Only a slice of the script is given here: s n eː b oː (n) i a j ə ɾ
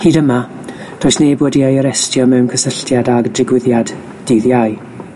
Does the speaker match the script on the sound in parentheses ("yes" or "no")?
no